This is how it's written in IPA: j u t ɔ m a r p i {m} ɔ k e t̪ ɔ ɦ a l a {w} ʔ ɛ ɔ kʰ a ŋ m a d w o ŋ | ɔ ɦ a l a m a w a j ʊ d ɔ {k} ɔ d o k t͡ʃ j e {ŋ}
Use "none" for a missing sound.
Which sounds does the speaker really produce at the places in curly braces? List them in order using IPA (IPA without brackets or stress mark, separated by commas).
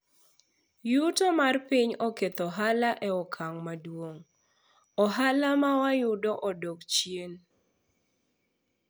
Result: ɲ, none, ʔ, n